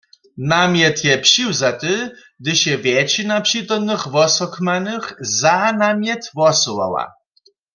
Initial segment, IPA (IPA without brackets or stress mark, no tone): n